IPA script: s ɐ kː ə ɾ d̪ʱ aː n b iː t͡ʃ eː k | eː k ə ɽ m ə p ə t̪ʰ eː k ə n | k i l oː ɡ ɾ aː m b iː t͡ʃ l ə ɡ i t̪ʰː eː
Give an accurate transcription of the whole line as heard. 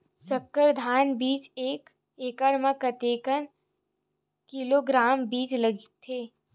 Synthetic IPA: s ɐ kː ə ɾ d̪ʱ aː n b iː t͡ʃ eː k | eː k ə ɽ m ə k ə t̪ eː k ə n | k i l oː ɡ ɾ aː m b iː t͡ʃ l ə ɡ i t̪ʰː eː

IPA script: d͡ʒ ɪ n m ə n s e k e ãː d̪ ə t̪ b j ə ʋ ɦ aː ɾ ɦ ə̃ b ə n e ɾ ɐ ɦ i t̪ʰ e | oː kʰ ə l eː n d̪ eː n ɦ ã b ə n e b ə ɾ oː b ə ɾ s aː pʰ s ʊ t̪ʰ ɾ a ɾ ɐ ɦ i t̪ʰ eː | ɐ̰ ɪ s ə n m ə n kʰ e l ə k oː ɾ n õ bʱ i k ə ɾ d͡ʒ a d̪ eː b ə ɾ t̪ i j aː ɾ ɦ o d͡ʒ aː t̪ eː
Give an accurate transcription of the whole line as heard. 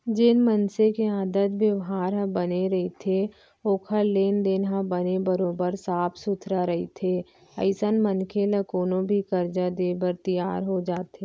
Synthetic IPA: d͡ʒ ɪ n m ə n s e k e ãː d̪ ə t̪ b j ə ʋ ɦ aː ɾ ɦ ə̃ b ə n e ɾ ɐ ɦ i t̪ʰ e | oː kʰ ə l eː n d̪ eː n ɦ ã b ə n e b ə ɾ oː b ə ɾ s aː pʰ s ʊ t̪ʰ ɾ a ɾ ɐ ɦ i t̪ʰ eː | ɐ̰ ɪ s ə n m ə n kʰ e l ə k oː n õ bʱ i k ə ɾ d͡ʒ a d̪ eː b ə ɾ t̪ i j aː ɾ ɦ o d͡ʒ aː t̪ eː

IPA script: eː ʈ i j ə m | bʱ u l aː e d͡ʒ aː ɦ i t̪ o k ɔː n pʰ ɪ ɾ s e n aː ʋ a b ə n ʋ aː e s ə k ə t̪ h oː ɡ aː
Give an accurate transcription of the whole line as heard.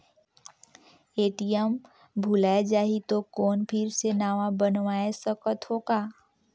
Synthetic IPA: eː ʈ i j ə m | bʱ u l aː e d͡ʒ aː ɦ i t̪ o k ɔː n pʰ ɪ ɾ s e n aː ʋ a b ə n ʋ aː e s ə k ə t̪ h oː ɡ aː

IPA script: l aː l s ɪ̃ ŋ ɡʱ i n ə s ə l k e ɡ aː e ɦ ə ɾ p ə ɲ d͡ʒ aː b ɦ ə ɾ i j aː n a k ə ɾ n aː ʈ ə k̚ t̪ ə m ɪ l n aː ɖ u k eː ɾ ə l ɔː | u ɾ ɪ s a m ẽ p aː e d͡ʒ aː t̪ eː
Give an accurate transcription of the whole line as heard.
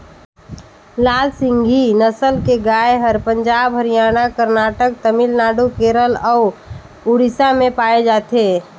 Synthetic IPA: l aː l s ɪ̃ ŋ ɡʱ i n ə s ə l k e ɡ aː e ɦ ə ɾ p ə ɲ d͡ʒ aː b ɦ ə ɾ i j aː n a k ə ɾ n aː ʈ ə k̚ t̪ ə m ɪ l n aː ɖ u k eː ɾ ə l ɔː | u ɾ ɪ s a m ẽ p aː e d͡ʒ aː t̪ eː

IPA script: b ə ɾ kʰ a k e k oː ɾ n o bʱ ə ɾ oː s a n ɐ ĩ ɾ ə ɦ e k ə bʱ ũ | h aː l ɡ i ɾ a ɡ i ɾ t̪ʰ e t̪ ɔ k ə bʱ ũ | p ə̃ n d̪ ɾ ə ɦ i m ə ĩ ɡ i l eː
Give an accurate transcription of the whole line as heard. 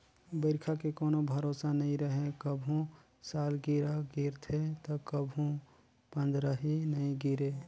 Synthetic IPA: b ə ɾ kʰ a k e k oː n o bʱ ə ɾ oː s a n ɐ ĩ ɾ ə ɦ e k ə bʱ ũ | s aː l ɡ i ɾ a ɡ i ɾ t̪ʰ e t̪ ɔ k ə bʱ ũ | p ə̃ n d̪ ɾ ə ɦ i n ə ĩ ɡ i ɾ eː

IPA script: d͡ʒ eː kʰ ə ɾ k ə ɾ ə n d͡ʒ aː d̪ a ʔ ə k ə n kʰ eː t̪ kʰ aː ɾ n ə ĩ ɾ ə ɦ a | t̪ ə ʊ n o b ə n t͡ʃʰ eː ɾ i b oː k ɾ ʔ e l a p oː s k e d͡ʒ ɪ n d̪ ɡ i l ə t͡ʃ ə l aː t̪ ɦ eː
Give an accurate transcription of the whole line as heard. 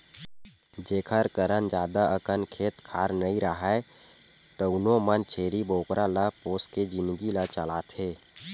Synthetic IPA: d͡ʒ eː kʰ ə ɾ k ə ɾ ə n d͡ʒ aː d̪ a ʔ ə k ə n kʰ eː t̪ kʰ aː ɾ n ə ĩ ɾ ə ɦ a | t̪ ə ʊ n o m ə n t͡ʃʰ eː ɾ i b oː k ɾ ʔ a l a p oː s k e d͡ʒ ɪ n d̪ ɡ i l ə t͡ʃ ə l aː t̪ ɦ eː

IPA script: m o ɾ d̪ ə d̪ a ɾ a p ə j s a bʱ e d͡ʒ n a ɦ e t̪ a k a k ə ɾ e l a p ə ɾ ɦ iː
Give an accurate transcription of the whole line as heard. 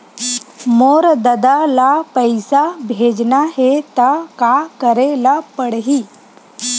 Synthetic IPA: m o ɾ d̪ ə d̪ a l a p ə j s a bʱ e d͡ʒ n a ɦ e t̪ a k a k ə ɾ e l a p ə ɽ ɦ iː

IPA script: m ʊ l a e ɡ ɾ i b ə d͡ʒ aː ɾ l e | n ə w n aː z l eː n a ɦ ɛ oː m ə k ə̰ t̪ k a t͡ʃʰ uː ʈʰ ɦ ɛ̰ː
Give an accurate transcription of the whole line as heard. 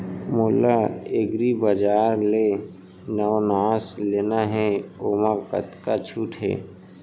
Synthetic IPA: m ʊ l a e ɡ ɾ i b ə d͡ʒ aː ɾ l e | n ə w n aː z l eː n a ɦ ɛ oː m a k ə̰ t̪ k a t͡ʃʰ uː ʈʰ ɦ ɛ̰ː

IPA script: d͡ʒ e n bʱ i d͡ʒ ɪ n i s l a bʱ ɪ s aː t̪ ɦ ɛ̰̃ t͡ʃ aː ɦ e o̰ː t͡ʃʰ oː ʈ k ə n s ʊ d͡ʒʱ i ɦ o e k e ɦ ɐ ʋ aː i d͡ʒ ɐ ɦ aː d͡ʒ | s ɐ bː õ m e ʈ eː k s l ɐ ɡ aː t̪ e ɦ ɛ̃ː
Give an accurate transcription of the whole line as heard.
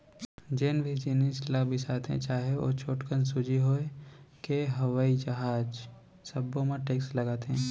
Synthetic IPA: d͡ʒ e n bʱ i d͡ʒ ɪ n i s l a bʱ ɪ s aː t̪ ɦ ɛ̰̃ t͡ʃ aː ɦ e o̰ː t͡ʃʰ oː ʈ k ə n s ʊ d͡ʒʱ i ɦ o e k e ɦ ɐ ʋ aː i d͡ʒ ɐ ɦ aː d͡ʒ | s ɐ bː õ m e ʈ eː k s l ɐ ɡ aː t̪ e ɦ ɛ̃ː

